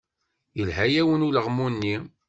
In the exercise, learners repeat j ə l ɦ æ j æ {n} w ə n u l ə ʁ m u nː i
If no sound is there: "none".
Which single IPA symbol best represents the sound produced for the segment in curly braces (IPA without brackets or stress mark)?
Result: none